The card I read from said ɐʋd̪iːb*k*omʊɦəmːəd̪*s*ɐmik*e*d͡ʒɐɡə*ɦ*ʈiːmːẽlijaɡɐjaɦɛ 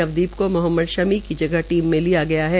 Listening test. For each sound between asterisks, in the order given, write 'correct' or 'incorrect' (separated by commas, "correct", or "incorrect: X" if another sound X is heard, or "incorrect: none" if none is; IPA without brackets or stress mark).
correct, incorrect: ʃ, incorrect: i, correct